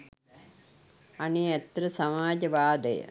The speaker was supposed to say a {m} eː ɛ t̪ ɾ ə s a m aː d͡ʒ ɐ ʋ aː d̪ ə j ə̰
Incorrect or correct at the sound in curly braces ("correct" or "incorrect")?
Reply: incorrect